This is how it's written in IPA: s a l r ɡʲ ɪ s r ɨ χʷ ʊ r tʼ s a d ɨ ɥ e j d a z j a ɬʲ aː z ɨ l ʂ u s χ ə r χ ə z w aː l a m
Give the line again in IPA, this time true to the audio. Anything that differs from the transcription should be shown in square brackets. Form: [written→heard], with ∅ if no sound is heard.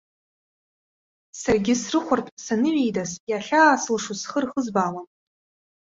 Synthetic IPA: s a [l→∅] r ɡʲ ɪ s r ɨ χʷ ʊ r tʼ s a [d→n] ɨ ɥ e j d a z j a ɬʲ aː [z→s] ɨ l ʂ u s χ ə r χ ə z [w→b] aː l a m